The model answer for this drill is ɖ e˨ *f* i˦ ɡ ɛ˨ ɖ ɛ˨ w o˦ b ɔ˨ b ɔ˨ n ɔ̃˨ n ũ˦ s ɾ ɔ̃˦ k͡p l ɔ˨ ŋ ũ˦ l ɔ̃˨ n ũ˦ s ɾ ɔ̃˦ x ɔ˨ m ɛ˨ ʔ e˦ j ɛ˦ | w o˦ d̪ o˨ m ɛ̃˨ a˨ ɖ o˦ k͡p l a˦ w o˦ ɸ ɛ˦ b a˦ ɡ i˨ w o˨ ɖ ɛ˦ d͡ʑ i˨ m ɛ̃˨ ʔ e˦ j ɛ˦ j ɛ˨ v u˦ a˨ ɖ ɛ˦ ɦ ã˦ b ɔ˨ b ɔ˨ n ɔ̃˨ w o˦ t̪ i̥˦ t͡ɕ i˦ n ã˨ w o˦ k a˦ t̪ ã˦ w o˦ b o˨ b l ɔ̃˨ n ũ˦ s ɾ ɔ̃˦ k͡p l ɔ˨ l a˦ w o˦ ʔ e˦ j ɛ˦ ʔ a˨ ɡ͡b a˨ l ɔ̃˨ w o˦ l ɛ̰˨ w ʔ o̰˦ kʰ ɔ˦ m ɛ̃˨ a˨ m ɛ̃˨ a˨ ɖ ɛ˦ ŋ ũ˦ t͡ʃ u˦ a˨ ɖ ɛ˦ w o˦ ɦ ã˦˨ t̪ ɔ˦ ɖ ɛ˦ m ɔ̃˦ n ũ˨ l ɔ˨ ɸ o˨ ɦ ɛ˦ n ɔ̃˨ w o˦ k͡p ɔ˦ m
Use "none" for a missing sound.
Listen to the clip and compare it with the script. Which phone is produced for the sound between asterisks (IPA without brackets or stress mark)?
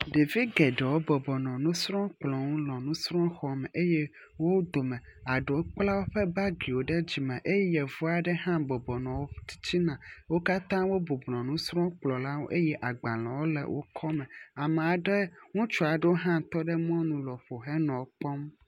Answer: v